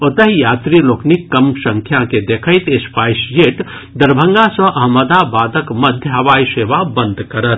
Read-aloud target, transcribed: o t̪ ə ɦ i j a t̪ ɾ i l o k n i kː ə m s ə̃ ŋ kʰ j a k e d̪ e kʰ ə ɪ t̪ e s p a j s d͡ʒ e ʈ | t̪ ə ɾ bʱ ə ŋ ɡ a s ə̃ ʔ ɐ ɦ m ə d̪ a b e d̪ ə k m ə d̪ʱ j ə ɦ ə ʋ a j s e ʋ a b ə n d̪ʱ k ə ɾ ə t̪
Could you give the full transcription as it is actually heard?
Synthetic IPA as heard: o t̪ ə ɦ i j a t̪ ɾ i l o k n i kː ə m s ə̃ ŋ kʰ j a k e d̪ e kʰ ə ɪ t̪ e s p a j s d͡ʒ e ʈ | d̪ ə ɾ bʱ ə ŋ ɡ a s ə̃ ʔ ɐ ɦ m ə d̪ a b a d̪ ə k m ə d̪ʱ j ə ɦ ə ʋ a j s e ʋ a b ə n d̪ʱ k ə ɾ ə t̪